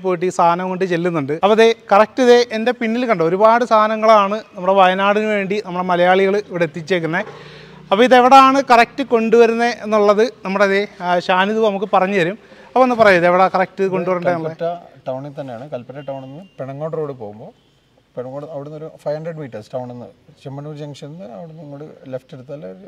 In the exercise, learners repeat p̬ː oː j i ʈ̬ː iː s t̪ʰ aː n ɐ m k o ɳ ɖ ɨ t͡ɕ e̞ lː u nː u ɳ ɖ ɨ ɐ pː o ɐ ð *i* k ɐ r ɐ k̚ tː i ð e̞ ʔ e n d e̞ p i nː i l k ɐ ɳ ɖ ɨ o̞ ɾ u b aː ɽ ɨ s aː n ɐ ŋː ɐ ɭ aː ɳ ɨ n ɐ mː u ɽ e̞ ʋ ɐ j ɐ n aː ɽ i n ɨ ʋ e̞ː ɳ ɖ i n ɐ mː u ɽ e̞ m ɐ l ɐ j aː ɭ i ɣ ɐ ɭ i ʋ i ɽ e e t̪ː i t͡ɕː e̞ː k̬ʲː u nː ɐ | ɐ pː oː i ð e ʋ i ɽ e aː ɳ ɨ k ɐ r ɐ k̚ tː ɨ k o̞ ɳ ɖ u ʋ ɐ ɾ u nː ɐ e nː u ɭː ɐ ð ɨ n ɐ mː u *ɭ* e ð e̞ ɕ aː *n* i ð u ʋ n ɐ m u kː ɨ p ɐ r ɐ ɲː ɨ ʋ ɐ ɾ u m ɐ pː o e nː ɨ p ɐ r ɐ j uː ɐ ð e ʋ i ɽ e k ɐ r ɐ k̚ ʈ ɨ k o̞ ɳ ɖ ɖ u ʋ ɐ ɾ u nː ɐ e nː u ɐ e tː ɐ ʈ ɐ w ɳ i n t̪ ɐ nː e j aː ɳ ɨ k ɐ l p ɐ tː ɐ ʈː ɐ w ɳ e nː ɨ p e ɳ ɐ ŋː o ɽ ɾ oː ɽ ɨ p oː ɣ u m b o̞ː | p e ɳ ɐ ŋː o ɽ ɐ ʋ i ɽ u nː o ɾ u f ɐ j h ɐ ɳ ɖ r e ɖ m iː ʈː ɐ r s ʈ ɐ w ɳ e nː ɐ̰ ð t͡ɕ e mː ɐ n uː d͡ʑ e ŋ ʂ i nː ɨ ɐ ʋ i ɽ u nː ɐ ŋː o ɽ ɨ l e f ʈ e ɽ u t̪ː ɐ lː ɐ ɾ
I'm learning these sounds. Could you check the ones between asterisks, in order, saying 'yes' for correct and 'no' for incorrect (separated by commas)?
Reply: no, no, yes